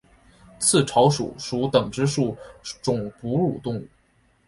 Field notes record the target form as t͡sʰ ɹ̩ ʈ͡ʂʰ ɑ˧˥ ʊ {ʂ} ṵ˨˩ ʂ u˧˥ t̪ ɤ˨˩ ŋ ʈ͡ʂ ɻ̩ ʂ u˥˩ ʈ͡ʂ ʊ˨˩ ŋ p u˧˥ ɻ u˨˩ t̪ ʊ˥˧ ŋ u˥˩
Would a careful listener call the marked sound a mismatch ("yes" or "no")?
no